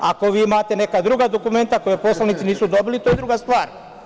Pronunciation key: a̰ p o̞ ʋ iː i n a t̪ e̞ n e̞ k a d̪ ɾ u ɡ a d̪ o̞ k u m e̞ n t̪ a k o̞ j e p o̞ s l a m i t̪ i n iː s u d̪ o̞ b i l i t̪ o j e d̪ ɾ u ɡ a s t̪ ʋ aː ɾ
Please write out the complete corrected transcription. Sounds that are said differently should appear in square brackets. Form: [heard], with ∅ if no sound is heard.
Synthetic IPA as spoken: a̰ [k] o̞ ʋ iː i [m] a t̪ e̞ n e̞ k a d̪ ɾ u ɡ a d̪ o̞ k u m e̞ n t̪ a k o̞ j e p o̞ s l a [n] i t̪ i n iː s u d̪ o̞ b i l i t̪ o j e d̪ ɾ u ɡ a s t̪ ʋ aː ɾ

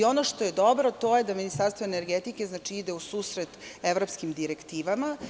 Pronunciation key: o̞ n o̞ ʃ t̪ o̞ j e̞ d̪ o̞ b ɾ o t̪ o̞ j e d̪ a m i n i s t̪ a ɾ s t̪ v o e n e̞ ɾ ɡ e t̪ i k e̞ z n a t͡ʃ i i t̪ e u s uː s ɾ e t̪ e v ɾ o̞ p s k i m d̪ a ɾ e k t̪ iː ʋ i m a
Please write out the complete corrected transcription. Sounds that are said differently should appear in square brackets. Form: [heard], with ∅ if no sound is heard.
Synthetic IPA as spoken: o̞ n o̞ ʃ t̪ o̞ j e̞ d̪ o̞ b ɾ o t̪ o̞ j e d̪ a m i n i s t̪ a ɾ s t̪ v o e n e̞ ɾ ɡ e t̪ i k e̞ z n a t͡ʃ i i [d̪] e u s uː s ɾ e t̪ e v ɾ o̞ p s k i m d̪ [i] ɾ e k t̪ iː ʋ [a] m a

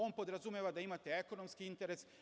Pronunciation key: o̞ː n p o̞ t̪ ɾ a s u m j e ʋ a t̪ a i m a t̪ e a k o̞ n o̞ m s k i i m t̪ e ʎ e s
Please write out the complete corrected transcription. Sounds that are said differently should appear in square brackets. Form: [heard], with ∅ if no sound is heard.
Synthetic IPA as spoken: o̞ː n p o̞ [d̪] ɾ a [z] u m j e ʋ a [d̪] a i m a t̪ e [e] k o̞ n o̞ m s k i i [n] t̪ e [ɾ] e s

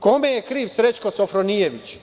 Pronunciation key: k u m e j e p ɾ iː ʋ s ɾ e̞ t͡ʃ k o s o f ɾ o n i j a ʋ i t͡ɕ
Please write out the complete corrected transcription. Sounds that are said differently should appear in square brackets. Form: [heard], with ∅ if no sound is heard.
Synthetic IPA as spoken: k [o] m e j e [k] ɾ iː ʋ s ɾ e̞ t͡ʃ k o s o f ɾ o n i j [e] ʋ i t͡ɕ

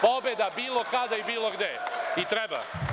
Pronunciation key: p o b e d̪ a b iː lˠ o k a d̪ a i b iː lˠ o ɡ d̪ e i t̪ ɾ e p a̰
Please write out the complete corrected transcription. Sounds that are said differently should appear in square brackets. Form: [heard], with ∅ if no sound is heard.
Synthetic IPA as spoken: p o b e d̪ a b iː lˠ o k a d̪ a i b iː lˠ o ɡ d̪ e i t̪ ɾ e [b] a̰

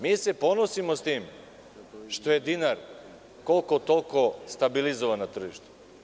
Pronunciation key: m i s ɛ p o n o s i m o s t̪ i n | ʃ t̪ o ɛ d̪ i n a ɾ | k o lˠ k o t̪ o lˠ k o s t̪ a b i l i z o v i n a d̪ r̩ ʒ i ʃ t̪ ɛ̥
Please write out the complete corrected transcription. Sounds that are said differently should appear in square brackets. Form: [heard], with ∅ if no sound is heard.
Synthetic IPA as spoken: m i s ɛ p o n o s i m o s t̪ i [m] | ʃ t̪ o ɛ d̪ i n a ɾ | k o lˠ k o t̪ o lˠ k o s t̪ a b i l i z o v [a] n a [t̪] r̩ ʒ i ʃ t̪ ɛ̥

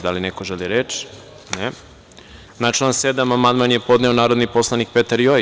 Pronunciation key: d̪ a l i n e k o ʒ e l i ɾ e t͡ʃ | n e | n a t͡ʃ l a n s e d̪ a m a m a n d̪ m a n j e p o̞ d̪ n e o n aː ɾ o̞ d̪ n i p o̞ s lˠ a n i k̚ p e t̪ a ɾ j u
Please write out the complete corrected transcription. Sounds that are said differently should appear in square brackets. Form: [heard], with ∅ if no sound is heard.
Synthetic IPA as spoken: d̪ a l i n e k o ʒ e l i ɾ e t͡ʃ | n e | n a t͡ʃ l a n s e d̪ a m a m a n d̪ m a n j e p o̞ d̪ n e o n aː ɾ o̞ d̪ n i p o̞ s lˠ a n i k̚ p e t̪ a ɾ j [o]

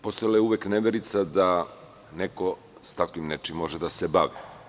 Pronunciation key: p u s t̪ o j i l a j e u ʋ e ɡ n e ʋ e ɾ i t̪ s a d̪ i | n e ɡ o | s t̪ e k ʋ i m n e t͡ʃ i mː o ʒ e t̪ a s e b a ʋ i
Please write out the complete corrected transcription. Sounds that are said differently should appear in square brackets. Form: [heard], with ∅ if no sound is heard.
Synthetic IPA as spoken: p [o] s t̪ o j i l a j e u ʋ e [k] n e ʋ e ɾ i t̪ s a d̪ [a] | n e [k] o | s t̪ [a] k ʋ i m n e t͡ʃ i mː o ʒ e [d̪] a s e b a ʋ i

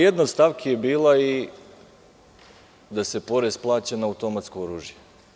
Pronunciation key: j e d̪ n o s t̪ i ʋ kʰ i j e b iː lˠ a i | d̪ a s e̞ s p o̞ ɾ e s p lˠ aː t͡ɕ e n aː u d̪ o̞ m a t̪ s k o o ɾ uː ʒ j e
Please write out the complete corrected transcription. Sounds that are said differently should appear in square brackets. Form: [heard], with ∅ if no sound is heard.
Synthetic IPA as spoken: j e d̪ n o s t̪ [a] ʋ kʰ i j e b iː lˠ a i | d̪ a s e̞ [∅] p o̞ ɾ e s p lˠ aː t͡ɕ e n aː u [t̪] o̞ m a t̪ s k o o ɾ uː ʒ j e

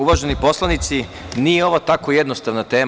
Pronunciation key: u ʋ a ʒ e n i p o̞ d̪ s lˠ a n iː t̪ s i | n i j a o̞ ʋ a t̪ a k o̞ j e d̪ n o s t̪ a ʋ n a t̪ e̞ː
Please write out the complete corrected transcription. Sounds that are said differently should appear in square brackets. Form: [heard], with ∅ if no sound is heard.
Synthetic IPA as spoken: u ʋ a ʒ e n i p o̞ [∅] s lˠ a n [i] t̪ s i | n i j [e] o̞ ʋ a t̪ a k o̞ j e d̪ n o s t̪ a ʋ n a t̪ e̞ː

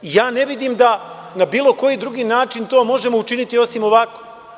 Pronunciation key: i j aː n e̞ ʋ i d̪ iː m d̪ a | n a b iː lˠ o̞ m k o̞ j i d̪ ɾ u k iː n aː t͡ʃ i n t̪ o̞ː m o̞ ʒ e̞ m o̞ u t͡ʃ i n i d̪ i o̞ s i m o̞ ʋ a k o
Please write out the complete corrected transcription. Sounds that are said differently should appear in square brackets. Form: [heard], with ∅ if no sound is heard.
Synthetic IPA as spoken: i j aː n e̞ ʋ i d̪ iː m d̪ a | n a b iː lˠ o̞ [∅] k o̞ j i d̪ ɾ u [ɡ] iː n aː t͡ʃ i n t̪ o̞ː m o̞ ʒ e̞ m o̞ u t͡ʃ i n i [t̪] i o̞ s i m o̞ ʋ a k o

